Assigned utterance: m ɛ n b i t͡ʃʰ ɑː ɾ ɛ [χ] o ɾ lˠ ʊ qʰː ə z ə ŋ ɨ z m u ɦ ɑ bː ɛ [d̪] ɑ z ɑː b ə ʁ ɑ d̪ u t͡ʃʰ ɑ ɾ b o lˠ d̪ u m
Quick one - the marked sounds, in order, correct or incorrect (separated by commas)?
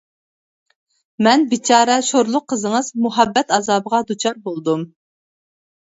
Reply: incorrect, incorrect